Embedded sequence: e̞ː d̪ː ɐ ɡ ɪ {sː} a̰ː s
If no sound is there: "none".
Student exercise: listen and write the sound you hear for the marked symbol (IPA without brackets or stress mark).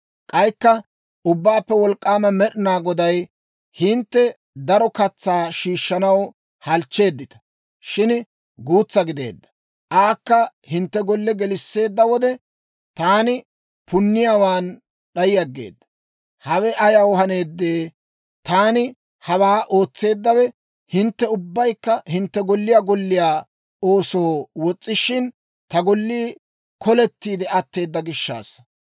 ʃː